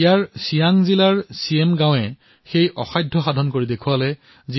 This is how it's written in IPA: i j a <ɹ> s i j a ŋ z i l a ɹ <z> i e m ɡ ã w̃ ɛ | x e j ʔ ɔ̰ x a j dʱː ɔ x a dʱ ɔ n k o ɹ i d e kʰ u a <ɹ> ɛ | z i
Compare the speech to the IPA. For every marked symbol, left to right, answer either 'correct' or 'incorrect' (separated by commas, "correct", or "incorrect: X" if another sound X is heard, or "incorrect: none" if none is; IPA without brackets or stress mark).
correct, incorrect: s, incorrect: l